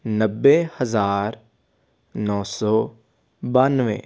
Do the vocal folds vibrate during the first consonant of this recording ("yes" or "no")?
yes